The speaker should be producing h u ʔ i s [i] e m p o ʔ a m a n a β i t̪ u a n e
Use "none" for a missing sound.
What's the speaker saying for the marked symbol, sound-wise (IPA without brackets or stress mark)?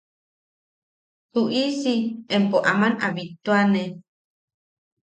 i